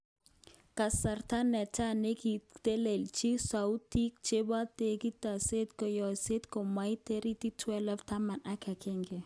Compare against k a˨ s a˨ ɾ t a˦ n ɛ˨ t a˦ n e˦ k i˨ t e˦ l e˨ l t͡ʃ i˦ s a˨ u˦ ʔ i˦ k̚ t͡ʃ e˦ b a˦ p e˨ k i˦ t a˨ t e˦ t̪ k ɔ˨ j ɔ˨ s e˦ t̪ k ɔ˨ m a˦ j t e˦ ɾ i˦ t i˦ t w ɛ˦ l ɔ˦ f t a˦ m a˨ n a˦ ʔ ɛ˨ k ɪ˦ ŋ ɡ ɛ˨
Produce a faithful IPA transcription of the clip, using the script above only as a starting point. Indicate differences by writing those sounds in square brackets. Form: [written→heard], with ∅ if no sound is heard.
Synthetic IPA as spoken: k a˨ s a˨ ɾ t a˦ n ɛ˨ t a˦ n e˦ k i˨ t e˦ l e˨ l t͡ʃ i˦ s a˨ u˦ [ʔ→t] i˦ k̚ t͡ʃ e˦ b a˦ [p→t] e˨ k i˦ t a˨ [t→s] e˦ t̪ k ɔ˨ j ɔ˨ s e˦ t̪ k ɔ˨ m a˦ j t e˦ ɾ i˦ t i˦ t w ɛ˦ l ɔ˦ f t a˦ m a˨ n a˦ [ʔ→k] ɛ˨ k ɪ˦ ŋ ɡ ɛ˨